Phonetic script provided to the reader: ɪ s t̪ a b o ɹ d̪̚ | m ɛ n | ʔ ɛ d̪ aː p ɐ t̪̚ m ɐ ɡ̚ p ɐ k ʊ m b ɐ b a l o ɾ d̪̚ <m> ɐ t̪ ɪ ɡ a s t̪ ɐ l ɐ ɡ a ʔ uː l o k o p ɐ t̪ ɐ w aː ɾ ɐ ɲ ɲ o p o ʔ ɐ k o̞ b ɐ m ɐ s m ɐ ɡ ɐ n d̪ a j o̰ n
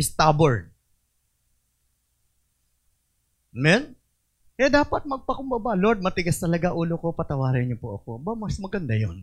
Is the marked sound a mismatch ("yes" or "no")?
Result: no